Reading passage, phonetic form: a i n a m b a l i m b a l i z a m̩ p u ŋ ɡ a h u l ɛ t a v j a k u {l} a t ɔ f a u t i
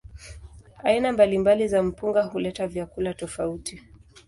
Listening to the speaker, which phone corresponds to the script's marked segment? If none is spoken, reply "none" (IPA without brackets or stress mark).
l